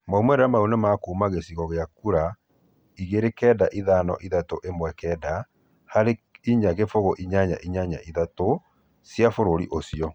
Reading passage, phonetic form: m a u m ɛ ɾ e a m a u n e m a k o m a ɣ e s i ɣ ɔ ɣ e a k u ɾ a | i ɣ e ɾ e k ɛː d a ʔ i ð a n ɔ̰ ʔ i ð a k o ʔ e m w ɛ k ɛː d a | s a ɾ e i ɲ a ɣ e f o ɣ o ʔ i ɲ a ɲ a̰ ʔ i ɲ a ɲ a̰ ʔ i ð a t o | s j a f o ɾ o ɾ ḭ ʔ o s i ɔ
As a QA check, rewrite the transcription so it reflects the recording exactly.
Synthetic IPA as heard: m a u m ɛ ɾ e a m a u n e m a k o m a ɣ e s i ɣ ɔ ɣ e a k u ɾ a | i ɣ e ɾ e k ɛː d a ʔ i ð a n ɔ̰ ʔ i ð a t o ʔ e m w ɛ k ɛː d a | h a ɾ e i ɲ a ɣ e f o ɣ o ʔ i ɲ a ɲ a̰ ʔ i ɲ a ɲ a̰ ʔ i ð a t o | s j a f o ɾ o ɾ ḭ ʔ o s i ɔ